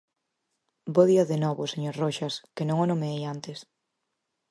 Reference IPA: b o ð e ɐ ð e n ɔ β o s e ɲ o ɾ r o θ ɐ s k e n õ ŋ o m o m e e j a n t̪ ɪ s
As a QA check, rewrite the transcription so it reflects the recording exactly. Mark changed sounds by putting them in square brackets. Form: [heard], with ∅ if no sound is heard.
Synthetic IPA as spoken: b o ð [i] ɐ ð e n ɔ β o s e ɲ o ɾ r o [ʃ] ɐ s k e n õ ŋ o [n] o m e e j a n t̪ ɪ s

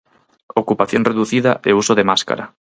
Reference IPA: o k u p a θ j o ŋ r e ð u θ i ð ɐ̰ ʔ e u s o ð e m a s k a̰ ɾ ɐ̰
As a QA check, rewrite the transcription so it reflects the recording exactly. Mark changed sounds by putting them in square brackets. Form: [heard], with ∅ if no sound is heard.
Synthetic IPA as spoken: o k u p a θ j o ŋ r e ð u θ i ð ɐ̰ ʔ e u s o ð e m a s k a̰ ɾ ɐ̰

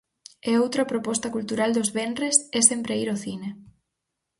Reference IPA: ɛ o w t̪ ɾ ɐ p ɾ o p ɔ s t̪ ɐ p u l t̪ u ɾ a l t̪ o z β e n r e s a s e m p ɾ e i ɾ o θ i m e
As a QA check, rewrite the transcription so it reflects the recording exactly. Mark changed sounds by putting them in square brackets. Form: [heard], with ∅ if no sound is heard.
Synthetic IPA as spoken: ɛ o w t̪ ɾ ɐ p ɾ o p ɔ s t̪ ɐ [k] u l t̪ u ɾ a l [d̪] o z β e n r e s [ɛ] s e m p ɾ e i ɾ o θ i [n] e

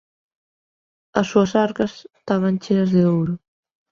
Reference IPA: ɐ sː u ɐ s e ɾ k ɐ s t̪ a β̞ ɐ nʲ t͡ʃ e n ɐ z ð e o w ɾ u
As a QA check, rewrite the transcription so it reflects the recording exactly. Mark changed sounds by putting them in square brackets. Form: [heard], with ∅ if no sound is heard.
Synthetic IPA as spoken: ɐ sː u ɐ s [a] ɾ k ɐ s t̪ a β̞ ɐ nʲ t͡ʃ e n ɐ z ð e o w ɾ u

